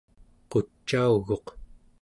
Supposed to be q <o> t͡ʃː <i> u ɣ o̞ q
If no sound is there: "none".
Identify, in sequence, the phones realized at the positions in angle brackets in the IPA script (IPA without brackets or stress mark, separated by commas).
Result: o, a